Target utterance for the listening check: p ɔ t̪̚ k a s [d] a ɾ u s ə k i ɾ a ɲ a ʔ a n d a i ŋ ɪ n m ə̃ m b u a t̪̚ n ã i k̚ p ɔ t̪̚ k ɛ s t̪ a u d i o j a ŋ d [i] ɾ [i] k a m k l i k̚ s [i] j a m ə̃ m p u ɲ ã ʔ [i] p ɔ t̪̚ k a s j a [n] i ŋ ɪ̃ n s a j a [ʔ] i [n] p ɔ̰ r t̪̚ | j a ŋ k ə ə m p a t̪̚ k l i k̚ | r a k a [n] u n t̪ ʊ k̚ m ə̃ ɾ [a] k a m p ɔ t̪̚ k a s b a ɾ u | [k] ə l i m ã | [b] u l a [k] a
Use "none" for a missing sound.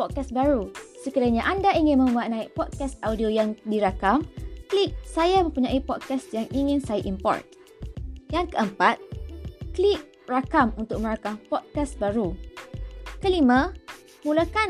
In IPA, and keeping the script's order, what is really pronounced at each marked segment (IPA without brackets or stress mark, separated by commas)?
b, i, a, a, i, ŋ, ʔ, m, m, a, k, m, k